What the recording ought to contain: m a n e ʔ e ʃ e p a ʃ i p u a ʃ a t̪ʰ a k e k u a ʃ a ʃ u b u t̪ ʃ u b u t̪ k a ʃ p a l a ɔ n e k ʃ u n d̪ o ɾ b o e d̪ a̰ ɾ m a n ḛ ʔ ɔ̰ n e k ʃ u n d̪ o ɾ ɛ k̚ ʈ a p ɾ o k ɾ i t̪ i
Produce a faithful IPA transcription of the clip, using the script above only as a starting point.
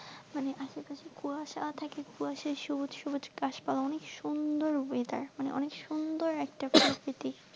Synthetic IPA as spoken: m a n e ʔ a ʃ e p a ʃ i k u a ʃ a t̪ʰ a k e k u a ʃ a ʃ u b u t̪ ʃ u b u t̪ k a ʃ p a l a ɔ n e k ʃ u n d̪ o ɾ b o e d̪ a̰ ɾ m a n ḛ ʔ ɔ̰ n e k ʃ u n d̪ o ɾ ɛ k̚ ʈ a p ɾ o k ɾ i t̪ i